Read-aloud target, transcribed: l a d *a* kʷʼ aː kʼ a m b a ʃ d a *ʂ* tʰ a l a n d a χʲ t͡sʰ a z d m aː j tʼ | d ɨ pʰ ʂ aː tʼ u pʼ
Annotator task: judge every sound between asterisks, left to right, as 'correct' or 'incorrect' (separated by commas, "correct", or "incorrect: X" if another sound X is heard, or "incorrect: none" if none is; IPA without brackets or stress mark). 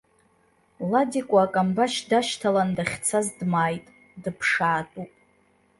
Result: incorrect: i, incorrect: ʃ